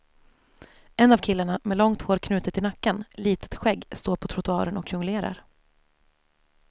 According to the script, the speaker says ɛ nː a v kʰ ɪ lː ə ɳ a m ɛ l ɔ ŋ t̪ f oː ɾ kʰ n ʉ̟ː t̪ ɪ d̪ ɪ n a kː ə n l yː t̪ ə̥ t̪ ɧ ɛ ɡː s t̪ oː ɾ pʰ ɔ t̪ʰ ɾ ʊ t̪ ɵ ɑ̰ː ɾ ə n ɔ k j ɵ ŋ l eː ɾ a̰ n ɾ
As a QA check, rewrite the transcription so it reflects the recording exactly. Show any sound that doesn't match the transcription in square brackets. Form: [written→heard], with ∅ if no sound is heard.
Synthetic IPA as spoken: ɛ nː a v kʰ ɪ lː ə ɳ a m ɛ l ɔ ŋ t̪ [f→h] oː ɾ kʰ n ʉ̟ː t̪ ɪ [d̪→t̪] ɪ n a kː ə n l [yː→iː] t̪ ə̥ t̪ ɧ ɛ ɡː s t̪ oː ɾ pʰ ɔ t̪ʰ ɾ ʊ t̪ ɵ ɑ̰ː ɾ ə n ɔ k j ɵ ŋ l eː ɾ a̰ [n→∅] ɾ